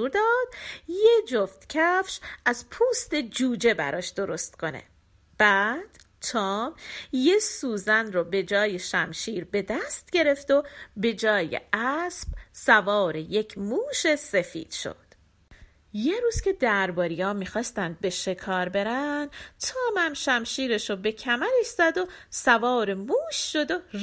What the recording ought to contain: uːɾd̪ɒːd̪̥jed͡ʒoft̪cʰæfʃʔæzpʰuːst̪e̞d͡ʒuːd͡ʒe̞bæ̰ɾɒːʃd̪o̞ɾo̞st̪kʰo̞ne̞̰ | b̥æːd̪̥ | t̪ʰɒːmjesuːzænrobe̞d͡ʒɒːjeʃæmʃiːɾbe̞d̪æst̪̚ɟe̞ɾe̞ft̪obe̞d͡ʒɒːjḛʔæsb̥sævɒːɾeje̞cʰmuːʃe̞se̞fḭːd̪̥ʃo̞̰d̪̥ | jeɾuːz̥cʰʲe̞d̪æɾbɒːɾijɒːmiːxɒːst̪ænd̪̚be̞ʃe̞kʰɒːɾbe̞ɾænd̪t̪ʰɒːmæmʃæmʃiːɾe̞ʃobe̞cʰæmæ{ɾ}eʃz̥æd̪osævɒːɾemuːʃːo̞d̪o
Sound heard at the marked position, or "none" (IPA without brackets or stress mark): ɾ